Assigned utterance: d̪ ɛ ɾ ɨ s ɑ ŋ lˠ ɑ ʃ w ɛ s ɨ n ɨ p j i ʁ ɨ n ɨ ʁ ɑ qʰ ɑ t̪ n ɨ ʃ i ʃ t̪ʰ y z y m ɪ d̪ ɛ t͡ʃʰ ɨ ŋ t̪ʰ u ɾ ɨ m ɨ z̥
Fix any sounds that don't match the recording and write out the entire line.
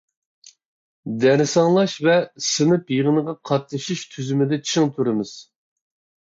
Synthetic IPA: d̪ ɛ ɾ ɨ s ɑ ŋ lˠ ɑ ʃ v ɛ s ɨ n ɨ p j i ʁ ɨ n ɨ ʁ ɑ qʰ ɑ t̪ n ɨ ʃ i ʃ t̪ʰ y z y m ɪ d̪ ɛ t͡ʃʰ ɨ ŋ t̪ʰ u ɾ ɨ m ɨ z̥